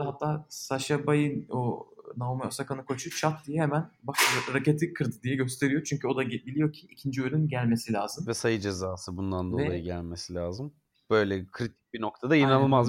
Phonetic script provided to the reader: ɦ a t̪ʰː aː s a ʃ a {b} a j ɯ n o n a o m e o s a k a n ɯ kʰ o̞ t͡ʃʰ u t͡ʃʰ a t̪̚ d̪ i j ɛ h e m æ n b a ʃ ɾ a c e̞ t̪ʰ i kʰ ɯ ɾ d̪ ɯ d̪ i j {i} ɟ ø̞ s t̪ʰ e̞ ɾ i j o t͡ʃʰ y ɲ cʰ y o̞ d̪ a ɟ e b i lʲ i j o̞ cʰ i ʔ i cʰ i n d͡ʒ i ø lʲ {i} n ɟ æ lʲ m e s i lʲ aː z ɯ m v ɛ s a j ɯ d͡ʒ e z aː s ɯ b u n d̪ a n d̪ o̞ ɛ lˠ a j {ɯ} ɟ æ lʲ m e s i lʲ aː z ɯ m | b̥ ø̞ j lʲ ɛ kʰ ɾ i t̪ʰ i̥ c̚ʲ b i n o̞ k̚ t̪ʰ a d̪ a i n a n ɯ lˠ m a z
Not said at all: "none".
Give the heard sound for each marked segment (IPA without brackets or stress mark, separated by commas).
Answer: b, ɛ, y, ɯ